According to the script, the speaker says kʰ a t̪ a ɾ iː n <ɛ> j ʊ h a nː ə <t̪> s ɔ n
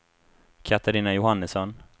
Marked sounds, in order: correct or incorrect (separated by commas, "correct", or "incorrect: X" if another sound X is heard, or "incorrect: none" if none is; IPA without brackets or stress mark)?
incorrect: a, incorrect: none